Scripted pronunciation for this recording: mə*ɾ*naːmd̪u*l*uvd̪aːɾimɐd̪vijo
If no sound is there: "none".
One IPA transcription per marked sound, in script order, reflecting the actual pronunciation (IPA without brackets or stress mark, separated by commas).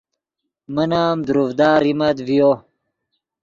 none, ɾ